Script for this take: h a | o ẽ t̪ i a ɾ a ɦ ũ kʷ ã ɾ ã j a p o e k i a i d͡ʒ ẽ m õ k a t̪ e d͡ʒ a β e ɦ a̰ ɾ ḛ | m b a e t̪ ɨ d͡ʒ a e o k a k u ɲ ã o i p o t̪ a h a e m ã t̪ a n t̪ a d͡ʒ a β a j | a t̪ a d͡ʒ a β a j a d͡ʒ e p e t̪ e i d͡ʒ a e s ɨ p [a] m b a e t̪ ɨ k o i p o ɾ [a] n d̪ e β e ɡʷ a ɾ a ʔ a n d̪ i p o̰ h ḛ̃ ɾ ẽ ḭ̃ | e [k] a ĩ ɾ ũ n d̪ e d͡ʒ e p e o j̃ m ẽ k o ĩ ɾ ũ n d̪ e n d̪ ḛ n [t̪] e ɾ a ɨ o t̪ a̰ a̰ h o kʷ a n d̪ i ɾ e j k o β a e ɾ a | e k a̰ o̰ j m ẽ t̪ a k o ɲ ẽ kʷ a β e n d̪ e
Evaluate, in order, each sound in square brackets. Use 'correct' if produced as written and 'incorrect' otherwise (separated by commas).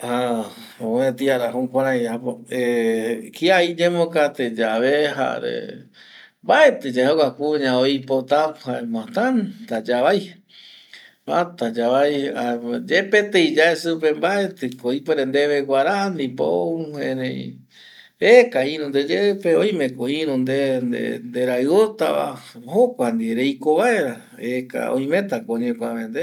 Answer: incorrect, incorrect, correct, incorrect